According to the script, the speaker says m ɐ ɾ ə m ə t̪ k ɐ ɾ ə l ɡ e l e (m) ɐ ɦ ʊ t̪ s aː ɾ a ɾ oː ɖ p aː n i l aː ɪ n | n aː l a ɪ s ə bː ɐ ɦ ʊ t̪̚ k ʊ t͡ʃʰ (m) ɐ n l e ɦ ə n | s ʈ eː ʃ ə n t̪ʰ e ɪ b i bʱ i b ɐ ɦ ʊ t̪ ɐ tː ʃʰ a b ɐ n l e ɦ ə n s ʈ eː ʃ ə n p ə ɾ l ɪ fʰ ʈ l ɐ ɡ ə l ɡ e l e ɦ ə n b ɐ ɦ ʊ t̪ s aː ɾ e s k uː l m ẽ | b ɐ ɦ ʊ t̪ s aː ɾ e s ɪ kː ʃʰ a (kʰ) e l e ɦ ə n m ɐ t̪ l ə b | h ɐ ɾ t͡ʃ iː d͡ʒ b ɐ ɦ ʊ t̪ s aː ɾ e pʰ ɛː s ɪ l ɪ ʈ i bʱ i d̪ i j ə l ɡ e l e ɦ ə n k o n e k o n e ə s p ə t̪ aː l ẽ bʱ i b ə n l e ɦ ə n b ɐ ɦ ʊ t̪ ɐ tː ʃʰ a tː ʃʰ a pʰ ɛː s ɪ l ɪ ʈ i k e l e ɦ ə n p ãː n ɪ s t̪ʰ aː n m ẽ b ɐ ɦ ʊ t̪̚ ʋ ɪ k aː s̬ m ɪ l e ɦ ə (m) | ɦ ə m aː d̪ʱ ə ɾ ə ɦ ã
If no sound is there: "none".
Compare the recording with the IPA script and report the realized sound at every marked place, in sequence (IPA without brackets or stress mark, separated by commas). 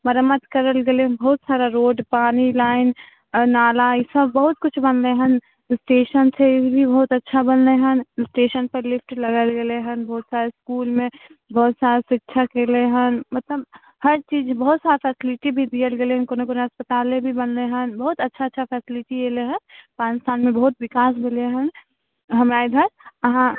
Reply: b, b, k, n